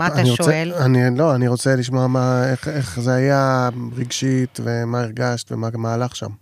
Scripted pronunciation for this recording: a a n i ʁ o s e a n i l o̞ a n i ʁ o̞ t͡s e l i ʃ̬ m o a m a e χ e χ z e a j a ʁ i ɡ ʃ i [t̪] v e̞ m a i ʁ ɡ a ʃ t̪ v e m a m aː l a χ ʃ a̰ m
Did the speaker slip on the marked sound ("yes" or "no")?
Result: no